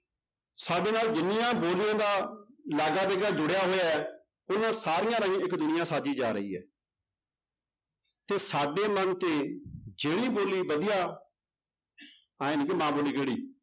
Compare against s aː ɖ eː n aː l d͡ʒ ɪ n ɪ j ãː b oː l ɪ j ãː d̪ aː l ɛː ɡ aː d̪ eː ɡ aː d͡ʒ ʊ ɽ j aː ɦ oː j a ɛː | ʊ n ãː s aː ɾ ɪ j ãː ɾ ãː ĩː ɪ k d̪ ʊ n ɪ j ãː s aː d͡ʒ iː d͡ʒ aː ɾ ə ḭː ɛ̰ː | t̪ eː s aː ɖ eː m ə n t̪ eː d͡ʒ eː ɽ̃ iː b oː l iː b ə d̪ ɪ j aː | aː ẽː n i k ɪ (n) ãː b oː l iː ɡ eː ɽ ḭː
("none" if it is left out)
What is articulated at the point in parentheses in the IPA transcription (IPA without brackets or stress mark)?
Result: m